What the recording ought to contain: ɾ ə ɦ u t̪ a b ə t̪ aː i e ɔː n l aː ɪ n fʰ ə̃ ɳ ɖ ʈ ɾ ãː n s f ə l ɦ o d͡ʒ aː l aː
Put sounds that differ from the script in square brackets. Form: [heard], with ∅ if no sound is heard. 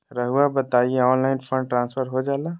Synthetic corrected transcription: ɾ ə ɦ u [∅] a b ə t̪ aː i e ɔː n l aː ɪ n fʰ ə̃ ɳ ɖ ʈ ɾ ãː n s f ə [ɾ] ɦ o d͡ʒ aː l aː